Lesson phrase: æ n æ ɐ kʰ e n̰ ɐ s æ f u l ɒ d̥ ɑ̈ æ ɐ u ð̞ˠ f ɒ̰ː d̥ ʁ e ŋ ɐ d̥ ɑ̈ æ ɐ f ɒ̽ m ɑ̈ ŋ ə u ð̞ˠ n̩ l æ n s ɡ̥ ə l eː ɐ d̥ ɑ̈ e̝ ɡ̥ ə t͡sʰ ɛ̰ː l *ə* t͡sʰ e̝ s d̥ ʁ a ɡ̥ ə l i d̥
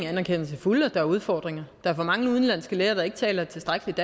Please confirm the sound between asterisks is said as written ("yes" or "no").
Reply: no